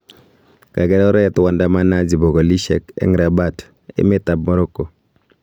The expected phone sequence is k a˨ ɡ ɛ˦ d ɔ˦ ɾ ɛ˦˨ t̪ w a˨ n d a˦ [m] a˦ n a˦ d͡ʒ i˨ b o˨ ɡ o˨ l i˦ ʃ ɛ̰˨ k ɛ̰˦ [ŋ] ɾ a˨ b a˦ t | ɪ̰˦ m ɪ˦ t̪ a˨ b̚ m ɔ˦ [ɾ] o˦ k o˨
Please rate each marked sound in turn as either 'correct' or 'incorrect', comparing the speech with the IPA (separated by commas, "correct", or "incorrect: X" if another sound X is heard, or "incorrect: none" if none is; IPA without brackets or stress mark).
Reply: correct, correct, correct